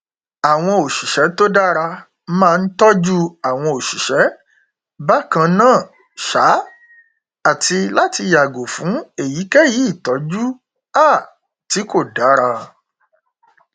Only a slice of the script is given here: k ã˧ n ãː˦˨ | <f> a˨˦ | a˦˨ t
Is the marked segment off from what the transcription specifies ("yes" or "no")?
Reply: yes